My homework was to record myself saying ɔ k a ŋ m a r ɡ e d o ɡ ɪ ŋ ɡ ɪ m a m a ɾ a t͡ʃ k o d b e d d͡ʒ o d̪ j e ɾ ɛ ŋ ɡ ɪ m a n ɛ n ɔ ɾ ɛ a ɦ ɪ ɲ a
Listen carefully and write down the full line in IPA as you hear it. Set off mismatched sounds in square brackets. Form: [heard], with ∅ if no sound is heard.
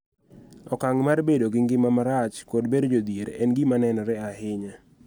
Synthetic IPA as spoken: ɔ k a ŋ m a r [b] e d o ɡ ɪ ŋ ɡ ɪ m a m a ɾ a t͡ʃ k o d b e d d͡ʒ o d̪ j e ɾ ɛ [n] ɡ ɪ m a n ɛ n ɔ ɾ ɛ a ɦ ɪ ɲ a